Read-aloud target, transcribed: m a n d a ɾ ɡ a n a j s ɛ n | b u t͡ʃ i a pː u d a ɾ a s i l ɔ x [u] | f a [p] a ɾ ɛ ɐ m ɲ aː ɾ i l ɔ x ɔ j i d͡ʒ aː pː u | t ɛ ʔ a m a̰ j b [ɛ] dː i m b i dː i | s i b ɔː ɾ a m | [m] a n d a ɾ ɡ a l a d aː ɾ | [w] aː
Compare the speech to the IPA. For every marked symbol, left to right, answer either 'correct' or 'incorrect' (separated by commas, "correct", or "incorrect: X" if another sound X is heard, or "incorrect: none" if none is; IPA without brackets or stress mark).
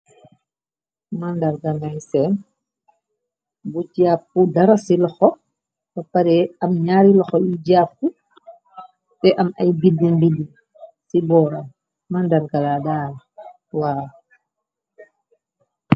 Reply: incorrect: ɔ, correct, incorrect: i, correct, correct